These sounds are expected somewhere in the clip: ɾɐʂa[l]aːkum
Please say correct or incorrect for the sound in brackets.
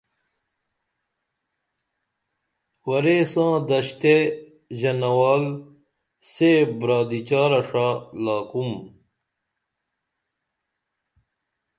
correct